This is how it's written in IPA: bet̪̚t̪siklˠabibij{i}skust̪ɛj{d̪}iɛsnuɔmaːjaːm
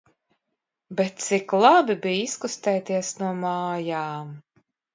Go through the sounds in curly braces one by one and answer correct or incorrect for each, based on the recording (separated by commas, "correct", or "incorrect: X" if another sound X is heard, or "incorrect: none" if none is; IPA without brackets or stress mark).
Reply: correct, incorrect: t̪